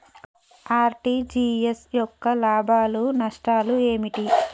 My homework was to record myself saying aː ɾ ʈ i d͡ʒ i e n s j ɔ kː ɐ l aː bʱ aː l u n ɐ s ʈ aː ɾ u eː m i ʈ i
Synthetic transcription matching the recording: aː ɾ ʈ i d͡ʒ i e s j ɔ kː ɐ l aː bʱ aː l u n ɐ ʂ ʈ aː l u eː m i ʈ i